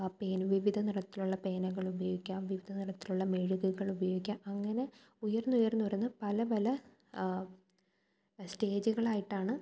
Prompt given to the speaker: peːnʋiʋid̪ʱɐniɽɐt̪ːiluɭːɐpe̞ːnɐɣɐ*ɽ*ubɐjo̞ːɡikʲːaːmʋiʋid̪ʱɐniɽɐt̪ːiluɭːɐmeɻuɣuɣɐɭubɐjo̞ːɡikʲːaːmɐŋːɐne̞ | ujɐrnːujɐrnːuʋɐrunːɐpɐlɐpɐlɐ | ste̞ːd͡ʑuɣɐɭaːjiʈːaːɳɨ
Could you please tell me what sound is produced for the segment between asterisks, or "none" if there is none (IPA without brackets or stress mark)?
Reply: ɭ